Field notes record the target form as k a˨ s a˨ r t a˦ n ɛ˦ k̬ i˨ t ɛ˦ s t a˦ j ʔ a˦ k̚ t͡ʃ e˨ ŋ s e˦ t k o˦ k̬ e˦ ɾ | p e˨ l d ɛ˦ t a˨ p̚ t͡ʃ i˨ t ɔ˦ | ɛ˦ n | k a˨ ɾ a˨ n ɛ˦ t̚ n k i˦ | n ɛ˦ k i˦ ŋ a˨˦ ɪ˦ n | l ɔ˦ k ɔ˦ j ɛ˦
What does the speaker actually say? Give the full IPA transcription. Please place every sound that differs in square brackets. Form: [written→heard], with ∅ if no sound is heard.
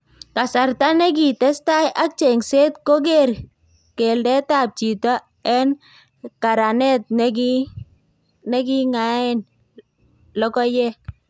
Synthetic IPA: k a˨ s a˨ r t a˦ n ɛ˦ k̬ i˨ t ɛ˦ s t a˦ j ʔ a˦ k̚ t͡ʃ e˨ ŋ s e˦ t k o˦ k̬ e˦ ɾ | [p→k] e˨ l d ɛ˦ t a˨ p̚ t͡ʃ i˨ t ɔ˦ | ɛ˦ n | k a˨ ɾ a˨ n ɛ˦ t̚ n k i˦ | n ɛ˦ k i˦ ŋ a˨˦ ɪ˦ n | l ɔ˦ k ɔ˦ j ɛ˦